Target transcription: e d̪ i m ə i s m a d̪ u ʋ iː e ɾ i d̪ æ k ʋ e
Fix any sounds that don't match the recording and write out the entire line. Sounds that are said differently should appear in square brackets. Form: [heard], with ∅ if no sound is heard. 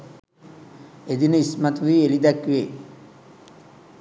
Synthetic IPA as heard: e d̪ i [n] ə i s m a [t̪] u ʋ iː e [l] i d̪ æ k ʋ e